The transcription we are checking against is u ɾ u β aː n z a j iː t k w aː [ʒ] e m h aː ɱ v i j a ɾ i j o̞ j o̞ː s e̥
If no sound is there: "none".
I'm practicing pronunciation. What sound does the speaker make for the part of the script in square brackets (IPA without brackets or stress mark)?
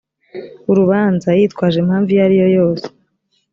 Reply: ʒ